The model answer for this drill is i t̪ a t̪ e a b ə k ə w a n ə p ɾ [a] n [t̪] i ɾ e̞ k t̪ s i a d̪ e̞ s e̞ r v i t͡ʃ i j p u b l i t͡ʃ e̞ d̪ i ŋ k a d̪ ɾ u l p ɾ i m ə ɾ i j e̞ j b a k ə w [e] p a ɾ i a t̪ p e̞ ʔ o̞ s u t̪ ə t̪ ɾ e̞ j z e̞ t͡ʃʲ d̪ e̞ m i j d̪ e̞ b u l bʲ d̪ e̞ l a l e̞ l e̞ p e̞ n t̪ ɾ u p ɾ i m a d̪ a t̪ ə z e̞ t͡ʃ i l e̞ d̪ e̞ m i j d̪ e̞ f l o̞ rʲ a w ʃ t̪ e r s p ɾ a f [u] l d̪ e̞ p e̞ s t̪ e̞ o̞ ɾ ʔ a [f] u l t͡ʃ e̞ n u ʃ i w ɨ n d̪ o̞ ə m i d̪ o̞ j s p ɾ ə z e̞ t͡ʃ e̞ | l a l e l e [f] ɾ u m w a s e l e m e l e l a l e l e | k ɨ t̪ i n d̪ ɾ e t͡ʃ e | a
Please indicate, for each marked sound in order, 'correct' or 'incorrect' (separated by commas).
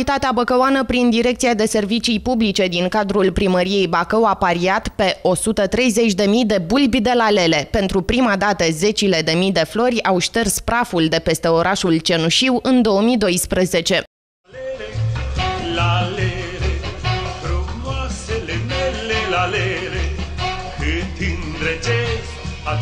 incorrect, incorrect, incorrect, correct, incorrect, correct